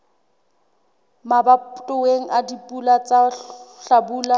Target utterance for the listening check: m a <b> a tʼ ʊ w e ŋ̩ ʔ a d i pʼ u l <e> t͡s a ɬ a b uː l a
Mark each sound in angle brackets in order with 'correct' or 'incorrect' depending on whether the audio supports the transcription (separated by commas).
correct, incorrect